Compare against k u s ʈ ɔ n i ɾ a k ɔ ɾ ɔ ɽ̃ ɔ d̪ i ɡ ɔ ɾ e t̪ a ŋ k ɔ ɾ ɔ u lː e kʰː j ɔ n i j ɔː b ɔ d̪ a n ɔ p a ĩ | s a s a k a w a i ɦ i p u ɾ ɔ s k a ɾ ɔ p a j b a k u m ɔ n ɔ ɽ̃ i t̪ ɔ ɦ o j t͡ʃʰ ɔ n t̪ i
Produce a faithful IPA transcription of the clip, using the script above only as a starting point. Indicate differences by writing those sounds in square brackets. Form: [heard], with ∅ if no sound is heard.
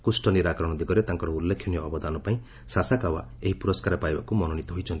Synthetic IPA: k u s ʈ ɔ n i ɾ a k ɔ ɾ ɔ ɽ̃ ɔ d̪ i ɡ ɔ ɾ e t̪ a ŋ k ɔ ɾ ɔ u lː e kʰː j ɔ n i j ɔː b ɔ d̪ a n ɔ p a ĩ | s a s a k a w a [e] ɦ i p u ɾ ɔ s k a ɾ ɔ p a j b a k u m ɔ n ɔ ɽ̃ i t̪ ɔ ɦ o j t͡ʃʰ ɔ n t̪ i